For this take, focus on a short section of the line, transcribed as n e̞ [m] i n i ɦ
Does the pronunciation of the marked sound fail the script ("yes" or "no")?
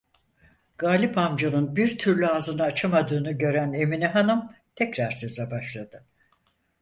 no